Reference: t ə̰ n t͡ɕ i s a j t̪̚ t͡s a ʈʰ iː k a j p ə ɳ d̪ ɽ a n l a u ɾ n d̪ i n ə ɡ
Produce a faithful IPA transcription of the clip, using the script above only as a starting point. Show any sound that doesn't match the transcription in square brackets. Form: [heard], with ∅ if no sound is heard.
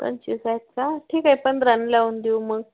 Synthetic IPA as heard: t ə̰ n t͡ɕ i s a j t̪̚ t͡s a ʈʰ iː k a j p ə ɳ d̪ [ɾ] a n l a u [∅] n d̪ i [m] ə ɡ